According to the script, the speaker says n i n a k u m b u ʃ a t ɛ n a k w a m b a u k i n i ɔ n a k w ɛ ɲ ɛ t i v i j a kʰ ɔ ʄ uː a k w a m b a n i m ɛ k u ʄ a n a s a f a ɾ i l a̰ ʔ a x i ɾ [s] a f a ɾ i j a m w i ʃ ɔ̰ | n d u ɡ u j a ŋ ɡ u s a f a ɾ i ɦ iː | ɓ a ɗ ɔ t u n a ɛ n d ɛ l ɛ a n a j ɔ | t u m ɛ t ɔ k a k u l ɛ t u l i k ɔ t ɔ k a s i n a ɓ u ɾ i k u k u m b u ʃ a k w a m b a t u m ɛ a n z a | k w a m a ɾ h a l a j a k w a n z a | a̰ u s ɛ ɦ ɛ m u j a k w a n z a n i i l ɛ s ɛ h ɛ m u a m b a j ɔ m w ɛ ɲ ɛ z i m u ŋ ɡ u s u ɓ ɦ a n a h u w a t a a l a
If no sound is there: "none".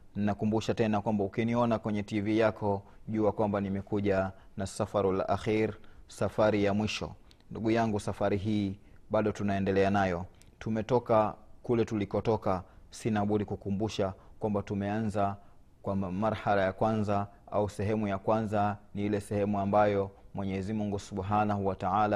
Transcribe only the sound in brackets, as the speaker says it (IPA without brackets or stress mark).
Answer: s